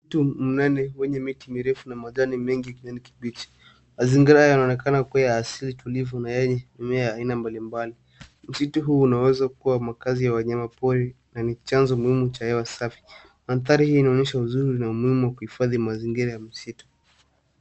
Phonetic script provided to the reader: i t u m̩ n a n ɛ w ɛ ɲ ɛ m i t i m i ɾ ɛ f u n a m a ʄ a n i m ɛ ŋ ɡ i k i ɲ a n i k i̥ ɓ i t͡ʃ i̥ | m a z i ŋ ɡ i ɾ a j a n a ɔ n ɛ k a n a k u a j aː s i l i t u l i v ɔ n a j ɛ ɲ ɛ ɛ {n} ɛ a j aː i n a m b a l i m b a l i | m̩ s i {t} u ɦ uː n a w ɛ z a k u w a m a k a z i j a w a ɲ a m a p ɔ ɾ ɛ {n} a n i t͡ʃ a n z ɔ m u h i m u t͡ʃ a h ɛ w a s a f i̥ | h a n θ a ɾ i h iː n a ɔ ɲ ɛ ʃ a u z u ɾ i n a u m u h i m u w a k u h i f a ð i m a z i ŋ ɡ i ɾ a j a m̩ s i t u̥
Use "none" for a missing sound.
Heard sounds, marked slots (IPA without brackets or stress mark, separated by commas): m, t, n